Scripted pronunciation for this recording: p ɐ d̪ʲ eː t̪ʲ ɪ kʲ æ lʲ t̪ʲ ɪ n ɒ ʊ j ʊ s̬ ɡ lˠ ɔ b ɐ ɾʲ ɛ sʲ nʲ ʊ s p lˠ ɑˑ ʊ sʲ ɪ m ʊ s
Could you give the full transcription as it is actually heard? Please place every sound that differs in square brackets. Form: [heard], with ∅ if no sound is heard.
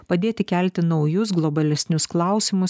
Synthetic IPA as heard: p ɐ d̪ʲ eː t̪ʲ ɪ kʲ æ lʲ t̪ʲ ɪ n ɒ ʊ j ʊ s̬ ɡ lˠ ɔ b ɐ [lʲ] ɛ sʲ nʲ ʊ s [k] lˠ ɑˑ ʊ sʲ ɪ m ʊ s